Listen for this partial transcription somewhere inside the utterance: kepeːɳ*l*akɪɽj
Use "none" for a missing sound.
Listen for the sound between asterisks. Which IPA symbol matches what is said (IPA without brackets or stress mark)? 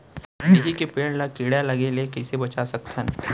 l